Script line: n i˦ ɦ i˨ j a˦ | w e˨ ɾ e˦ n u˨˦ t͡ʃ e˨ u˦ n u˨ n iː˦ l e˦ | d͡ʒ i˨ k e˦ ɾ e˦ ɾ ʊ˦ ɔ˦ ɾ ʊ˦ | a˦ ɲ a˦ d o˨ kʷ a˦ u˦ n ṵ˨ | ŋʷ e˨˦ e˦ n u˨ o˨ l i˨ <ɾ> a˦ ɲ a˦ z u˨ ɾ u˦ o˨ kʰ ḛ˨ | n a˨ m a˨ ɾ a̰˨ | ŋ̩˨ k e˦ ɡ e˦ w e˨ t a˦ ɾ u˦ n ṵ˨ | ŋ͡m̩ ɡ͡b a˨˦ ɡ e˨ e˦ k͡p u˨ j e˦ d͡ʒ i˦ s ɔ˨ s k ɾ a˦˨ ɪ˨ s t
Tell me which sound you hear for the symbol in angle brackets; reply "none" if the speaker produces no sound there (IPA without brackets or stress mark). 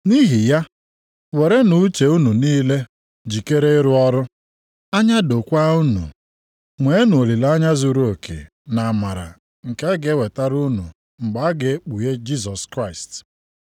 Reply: l